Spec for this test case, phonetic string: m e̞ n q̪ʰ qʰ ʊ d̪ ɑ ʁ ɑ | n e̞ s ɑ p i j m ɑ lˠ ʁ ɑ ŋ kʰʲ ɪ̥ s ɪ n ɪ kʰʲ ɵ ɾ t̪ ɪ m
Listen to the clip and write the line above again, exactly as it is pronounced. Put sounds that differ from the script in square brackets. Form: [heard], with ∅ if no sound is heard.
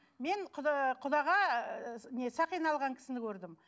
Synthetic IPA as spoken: m e̞ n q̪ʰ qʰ ʊ d̪ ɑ ʁ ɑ | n e̞ s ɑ [q] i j [n] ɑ lˠ ʁ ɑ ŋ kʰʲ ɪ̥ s ɪ n ɪ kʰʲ ɵ ɾ [d̪] ɪ m